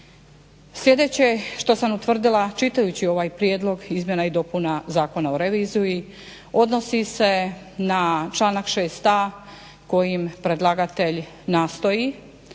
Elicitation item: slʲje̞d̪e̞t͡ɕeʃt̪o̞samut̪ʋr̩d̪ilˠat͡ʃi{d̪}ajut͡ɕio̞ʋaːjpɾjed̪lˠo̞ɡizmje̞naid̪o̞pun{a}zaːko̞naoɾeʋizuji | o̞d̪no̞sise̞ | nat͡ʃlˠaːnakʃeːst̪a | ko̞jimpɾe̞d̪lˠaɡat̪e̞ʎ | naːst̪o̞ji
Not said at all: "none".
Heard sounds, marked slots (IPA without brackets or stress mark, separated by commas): t̪, a